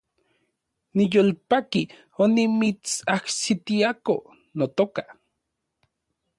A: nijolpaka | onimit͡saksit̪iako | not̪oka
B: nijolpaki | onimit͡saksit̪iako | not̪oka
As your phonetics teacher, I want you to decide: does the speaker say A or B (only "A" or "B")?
B